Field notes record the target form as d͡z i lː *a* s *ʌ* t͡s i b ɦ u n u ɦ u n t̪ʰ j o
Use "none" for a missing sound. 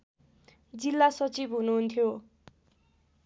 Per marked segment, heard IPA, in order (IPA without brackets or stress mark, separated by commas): a, ʌ